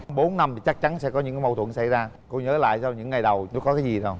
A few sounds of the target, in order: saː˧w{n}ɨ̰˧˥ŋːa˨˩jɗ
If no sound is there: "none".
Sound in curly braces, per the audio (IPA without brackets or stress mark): ɲ